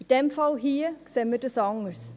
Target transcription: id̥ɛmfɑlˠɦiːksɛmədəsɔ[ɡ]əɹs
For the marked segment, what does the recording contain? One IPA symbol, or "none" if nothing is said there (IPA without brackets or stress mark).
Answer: ŋ